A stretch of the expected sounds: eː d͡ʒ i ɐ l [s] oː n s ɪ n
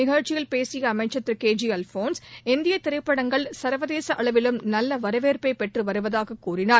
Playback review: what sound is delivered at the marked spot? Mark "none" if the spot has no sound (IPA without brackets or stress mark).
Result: f